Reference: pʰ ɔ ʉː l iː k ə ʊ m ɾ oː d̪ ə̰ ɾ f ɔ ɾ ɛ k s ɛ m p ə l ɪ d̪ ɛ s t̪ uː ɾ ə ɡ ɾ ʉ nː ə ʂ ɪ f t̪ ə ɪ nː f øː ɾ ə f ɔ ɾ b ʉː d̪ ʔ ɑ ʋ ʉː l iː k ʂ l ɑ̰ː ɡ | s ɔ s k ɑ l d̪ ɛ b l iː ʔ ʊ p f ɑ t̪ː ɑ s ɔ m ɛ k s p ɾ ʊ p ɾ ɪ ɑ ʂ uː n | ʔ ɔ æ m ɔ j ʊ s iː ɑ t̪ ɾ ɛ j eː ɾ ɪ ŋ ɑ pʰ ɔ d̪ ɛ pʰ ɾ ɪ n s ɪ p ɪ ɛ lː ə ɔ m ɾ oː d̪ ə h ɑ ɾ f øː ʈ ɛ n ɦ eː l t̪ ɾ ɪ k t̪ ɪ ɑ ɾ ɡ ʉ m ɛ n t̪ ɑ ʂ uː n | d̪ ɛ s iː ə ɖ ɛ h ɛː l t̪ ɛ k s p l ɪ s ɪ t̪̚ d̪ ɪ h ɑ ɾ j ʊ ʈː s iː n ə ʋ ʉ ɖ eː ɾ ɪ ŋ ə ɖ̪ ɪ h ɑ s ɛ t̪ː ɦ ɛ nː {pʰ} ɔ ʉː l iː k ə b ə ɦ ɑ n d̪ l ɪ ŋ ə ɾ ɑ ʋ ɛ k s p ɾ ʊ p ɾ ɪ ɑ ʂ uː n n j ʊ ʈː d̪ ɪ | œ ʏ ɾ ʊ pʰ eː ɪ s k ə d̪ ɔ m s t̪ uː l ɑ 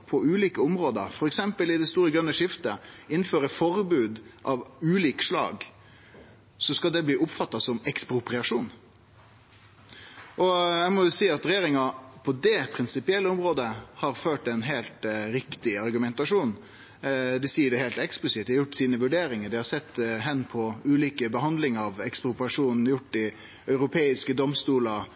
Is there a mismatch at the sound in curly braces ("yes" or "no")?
no